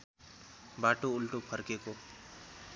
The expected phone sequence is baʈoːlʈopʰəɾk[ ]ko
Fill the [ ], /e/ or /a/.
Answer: e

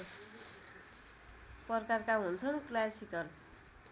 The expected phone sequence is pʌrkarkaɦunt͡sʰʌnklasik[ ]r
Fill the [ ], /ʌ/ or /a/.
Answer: ʌ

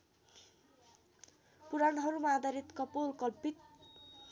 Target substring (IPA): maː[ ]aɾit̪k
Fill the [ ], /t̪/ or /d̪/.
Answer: d̪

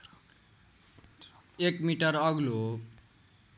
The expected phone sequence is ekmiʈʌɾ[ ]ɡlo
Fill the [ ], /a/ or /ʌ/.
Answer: ʌ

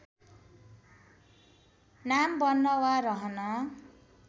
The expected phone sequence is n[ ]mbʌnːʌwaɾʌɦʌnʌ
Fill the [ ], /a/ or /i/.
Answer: a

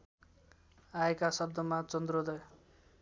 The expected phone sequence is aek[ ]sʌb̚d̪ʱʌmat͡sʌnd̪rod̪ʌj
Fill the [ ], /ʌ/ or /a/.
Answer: a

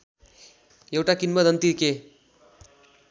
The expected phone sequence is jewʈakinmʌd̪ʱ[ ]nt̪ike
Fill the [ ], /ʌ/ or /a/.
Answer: ʌ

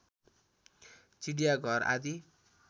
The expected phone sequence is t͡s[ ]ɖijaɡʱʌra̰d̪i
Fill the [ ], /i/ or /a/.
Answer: i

